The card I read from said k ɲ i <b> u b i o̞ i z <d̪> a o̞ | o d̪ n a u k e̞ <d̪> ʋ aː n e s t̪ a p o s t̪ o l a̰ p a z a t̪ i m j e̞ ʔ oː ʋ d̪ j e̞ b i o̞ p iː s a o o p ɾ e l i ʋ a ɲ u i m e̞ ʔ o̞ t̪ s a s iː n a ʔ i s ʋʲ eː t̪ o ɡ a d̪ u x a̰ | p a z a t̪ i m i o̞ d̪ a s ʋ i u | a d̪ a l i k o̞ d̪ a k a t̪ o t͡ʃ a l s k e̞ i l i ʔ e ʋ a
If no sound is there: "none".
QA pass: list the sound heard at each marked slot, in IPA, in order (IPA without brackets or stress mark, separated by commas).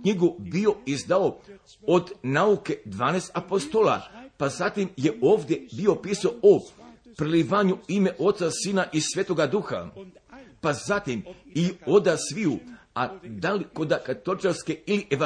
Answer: ɡ, d̪, d̪